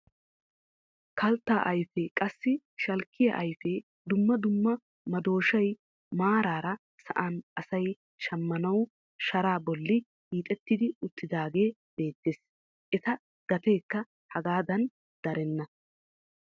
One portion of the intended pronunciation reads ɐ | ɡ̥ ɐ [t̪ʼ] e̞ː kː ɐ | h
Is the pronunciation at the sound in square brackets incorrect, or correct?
incorrect